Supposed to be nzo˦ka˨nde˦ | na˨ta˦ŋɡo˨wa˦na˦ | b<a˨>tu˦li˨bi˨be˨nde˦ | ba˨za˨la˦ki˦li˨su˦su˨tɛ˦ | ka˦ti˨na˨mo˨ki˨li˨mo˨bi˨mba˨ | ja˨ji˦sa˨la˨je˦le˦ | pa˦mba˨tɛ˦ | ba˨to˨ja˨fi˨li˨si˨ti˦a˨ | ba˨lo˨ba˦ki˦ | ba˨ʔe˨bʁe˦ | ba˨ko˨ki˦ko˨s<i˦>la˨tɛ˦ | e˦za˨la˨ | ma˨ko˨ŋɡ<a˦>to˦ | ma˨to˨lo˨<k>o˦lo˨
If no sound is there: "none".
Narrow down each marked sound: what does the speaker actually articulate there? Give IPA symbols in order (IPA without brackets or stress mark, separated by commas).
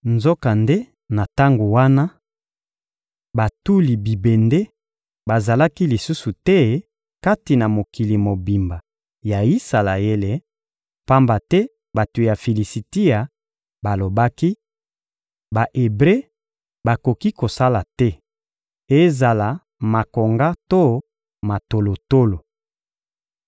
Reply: a˨, a˦, a˦, t